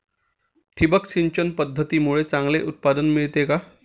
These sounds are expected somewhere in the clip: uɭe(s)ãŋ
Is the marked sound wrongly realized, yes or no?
yes